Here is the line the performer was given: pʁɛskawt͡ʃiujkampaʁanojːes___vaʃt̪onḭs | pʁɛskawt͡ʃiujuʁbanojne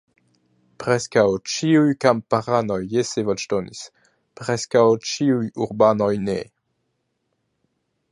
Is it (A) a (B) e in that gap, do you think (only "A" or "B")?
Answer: B